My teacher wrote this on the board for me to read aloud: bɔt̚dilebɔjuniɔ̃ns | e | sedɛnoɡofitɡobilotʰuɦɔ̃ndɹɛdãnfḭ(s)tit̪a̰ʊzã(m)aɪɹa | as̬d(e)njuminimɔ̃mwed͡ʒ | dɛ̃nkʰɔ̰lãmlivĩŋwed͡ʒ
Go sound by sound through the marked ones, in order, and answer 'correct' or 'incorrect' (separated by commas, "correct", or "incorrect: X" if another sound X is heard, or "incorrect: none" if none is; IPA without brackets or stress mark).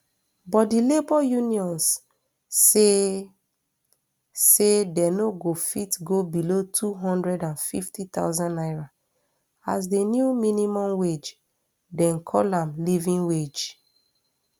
incorrect: f, incorrect: n, correct